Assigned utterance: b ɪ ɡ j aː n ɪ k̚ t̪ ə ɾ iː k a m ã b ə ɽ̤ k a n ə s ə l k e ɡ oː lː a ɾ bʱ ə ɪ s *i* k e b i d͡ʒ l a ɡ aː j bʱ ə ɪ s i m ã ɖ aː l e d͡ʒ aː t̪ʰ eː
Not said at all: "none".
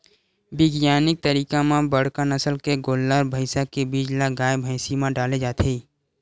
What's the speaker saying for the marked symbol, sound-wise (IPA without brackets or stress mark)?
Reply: a